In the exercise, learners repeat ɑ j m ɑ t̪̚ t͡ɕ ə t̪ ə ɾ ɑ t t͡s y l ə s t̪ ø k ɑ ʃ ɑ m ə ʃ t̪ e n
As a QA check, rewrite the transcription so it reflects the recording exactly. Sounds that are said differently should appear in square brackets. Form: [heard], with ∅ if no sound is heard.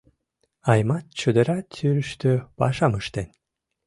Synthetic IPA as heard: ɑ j m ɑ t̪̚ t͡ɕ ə [d̪] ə ɾ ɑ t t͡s y [ɾ] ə [ʃ] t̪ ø [p] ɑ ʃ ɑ m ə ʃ t̪ e n